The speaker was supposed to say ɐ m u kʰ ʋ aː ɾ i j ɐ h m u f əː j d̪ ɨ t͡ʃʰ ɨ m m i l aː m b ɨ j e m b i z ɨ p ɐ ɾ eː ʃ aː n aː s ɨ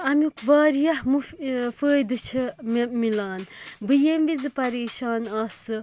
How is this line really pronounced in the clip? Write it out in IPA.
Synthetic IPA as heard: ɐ m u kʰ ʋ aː ɾ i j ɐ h m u f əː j d̪ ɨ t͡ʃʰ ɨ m m i l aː n b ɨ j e m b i z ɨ p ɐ ɾ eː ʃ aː n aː s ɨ